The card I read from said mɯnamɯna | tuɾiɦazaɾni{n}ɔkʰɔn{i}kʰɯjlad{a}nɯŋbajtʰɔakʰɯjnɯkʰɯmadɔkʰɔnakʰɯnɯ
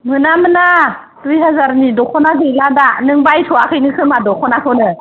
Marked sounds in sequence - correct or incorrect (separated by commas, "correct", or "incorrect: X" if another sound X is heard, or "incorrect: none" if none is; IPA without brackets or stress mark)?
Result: incorrect: d, incorrect: a, correct